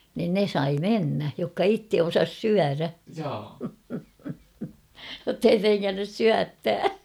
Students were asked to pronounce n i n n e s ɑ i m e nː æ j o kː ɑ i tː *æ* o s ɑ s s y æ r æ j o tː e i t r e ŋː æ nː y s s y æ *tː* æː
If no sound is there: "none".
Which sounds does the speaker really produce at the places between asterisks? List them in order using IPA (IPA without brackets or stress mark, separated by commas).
e, tː